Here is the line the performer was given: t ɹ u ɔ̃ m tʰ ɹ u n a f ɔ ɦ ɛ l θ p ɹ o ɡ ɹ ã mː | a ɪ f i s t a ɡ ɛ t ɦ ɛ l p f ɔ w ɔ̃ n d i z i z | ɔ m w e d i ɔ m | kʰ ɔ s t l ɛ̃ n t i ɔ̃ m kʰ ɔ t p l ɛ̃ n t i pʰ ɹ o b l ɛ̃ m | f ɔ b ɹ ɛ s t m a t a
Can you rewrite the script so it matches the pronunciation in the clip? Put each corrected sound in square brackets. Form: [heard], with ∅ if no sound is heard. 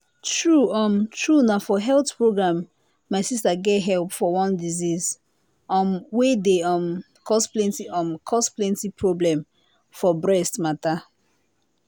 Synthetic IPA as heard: t ɹ u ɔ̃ m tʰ ɹ u n a f ɔ ɦ ɛ l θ p ɹ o ɡ ɹ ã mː | a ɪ [s] i s t a ɡ ɛ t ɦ ɛ l p f ɔ w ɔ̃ n d i z i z | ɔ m w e d [e] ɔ m | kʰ ɔ s [p] l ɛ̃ n t i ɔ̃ m kʰ ɔ [s] p l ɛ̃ n t i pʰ ɹ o b l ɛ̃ m | f ɔ b ɹ ɛ s t m a t a